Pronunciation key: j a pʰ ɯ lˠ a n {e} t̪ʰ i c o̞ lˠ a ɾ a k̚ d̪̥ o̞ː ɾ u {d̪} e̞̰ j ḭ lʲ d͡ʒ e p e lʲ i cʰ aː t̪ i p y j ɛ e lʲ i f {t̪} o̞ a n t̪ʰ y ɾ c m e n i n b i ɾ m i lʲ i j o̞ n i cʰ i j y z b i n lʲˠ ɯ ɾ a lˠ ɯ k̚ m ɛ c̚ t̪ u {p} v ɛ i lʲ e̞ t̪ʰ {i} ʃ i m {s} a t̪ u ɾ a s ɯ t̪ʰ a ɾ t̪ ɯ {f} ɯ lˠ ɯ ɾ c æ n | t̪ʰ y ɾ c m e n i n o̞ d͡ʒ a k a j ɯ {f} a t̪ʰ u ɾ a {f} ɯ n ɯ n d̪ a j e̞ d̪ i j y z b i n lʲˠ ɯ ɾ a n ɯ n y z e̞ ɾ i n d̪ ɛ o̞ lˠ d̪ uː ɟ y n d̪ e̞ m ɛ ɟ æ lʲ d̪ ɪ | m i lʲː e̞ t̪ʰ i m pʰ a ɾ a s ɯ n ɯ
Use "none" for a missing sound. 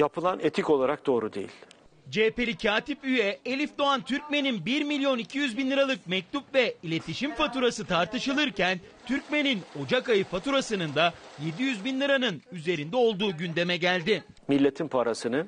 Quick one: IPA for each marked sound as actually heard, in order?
e, d̪, d̪, p, i, f, ʃ, f, s

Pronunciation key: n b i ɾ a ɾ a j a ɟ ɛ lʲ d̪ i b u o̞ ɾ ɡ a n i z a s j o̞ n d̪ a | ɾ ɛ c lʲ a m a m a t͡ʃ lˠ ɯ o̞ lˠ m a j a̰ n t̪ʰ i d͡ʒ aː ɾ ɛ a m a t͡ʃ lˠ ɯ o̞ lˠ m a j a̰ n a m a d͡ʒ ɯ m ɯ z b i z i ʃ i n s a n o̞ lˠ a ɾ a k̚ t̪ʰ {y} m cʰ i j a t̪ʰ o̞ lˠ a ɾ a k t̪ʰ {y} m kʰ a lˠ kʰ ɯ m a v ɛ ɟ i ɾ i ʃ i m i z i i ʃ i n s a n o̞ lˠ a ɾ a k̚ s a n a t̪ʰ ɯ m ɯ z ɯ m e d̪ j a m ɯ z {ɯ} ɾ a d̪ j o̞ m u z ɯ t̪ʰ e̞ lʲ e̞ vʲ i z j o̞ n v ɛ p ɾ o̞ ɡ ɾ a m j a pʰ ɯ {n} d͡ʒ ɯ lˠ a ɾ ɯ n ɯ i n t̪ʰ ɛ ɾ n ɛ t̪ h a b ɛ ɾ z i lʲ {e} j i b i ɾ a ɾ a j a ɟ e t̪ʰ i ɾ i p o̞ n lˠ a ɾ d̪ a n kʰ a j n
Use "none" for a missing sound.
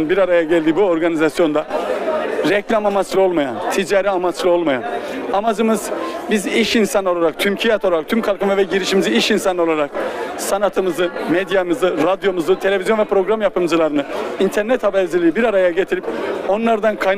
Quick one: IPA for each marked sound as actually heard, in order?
y, y, ɯ, m, i

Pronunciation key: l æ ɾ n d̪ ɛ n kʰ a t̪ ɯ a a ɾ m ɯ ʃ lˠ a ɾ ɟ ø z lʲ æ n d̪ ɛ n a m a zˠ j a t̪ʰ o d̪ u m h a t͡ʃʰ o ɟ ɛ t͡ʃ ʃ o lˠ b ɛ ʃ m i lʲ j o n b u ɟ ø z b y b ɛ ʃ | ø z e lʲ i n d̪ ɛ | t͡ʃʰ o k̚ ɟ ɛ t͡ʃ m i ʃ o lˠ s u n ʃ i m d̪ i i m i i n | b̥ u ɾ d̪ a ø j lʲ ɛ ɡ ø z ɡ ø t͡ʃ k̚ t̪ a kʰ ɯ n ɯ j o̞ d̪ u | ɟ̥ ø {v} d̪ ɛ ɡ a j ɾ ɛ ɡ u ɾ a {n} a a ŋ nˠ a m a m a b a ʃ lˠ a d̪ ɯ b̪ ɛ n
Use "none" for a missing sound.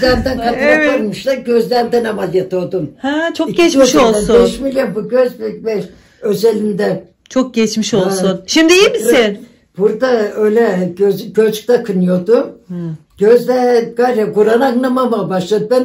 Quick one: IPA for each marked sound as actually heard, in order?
z, n

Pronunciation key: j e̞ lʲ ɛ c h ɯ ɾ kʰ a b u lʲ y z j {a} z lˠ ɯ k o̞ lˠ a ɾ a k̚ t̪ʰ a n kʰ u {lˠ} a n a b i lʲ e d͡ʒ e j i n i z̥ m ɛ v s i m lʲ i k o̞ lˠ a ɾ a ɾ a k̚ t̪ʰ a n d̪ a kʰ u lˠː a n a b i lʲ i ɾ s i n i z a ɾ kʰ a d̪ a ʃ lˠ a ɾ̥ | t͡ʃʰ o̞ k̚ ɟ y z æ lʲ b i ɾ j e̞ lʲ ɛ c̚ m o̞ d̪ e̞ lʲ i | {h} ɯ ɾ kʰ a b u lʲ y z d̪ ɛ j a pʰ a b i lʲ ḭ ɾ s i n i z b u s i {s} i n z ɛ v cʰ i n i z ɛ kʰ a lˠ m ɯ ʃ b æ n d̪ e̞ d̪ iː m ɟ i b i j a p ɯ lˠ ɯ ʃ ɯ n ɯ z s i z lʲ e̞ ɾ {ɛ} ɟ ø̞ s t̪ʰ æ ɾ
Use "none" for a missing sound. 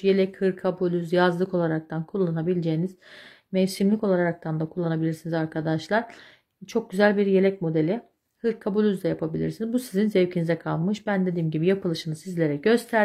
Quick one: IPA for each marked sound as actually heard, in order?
a, lˠː, h, z, ɛ

